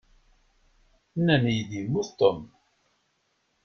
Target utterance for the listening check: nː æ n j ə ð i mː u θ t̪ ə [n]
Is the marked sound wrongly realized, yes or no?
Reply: yes